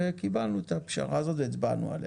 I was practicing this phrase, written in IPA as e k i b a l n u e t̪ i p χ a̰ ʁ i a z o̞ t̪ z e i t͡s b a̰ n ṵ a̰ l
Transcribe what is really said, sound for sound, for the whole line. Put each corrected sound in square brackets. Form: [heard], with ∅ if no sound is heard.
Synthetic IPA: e k i b a l n u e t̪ [a] p [ʃ] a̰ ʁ [a] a z o̞ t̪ [v] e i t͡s b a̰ n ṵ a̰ l